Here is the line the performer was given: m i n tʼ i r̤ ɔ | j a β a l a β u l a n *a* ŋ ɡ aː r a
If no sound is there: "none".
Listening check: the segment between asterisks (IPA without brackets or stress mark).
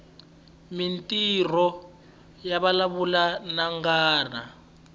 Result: a